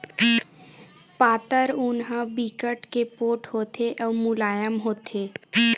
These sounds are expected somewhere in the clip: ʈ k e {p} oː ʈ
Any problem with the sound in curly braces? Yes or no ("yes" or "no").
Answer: no